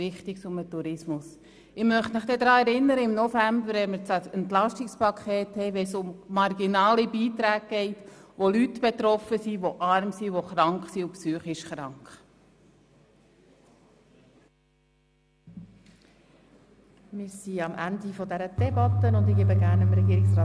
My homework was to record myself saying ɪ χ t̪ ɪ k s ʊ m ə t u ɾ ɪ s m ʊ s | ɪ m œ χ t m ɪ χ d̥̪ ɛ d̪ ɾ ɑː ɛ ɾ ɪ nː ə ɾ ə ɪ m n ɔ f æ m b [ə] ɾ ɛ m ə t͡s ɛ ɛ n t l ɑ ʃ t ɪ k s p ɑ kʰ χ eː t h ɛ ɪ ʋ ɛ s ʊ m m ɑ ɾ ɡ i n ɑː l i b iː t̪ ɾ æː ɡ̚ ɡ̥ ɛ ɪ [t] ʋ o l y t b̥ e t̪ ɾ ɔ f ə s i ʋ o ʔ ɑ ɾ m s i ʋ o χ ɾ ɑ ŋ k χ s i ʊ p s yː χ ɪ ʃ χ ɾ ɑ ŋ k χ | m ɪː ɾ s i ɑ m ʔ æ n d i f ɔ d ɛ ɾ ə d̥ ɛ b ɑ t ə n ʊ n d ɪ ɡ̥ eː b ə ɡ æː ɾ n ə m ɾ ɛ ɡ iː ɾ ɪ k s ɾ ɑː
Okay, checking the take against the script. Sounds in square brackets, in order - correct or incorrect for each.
correct, correct

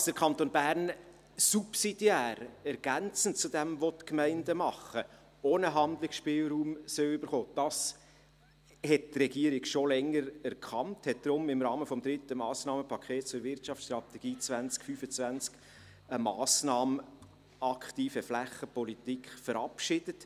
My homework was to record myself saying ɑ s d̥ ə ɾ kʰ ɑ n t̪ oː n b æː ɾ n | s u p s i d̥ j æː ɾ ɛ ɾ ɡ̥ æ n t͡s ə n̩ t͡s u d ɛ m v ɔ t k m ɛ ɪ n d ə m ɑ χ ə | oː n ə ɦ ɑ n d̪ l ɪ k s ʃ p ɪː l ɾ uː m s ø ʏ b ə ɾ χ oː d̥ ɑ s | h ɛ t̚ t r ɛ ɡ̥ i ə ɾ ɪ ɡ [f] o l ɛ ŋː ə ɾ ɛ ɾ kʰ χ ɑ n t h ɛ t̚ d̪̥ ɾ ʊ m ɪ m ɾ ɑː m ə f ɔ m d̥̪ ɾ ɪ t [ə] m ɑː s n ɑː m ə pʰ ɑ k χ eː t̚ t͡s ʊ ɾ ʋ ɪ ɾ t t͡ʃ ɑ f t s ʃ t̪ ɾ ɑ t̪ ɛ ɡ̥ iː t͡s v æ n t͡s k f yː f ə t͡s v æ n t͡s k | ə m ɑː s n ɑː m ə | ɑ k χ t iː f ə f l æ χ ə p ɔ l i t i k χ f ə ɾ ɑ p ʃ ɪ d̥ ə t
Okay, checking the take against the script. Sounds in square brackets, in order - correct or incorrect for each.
incorrect, correct

